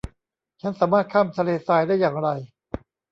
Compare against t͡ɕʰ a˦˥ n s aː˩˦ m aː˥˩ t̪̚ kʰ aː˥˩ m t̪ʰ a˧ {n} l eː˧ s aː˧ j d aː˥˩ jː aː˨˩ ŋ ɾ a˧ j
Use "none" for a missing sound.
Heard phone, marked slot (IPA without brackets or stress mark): none